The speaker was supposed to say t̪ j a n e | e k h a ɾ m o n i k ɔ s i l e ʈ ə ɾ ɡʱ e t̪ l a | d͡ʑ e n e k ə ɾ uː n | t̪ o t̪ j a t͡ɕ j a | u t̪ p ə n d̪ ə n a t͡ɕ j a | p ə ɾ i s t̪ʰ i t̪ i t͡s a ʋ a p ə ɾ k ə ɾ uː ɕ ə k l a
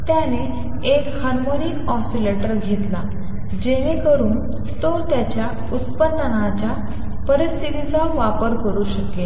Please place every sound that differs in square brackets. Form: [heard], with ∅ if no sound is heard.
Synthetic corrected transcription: t̪ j a n e | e k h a ɾ m o n i k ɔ s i l e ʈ ə ɾ ɡʱ e t̪ l a | d͡ʑ e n e k ə ɾ uː n | t̪ o t̪ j a t͡ɕ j a | u t̪ p ə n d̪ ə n a t͡ɕ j a | p ə ɾ i s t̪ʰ i t̪ i t͡s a ʋ a p ə ɾ k ə ɾ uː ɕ ə k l [e]